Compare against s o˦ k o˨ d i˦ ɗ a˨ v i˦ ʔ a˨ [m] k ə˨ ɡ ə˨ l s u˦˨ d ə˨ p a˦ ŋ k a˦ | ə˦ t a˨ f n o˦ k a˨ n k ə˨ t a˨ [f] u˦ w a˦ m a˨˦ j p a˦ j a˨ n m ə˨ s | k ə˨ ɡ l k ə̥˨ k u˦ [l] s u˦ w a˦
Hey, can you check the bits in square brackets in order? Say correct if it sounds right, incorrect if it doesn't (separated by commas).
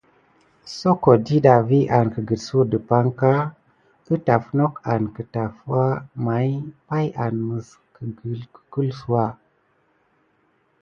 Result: incorrect, correct, correct